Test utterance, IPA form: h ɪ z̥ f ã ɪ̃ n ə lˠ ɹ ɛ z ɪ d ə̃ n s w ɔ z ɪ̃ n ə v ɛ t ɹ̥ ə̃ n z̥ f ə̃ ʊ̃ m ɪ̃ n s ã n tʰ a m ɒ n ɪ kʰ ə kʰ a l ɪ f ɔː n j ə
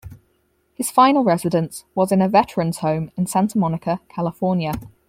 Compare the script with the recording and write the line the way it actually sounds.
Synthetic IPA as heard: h ɪ z̥ f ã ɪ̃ n ə lˠ ɹ ɛ z ɪ d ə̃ n s w ɒ z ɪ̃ n ə v ɛ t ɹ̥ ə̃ n z̥ h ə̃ ʊ̃ m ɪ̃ n s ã n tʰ ə m ɒ n ɪ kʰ ə kʰ a l ɪ f ɔː n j ə